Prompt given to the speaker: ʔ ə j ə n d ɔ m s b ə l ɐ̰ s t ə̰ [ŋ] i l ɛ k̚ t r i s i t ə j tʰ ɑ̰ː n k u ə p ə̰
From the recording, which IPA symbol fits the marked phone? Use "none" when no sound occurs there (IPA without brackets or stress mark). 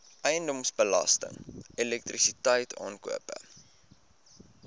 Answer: ŋ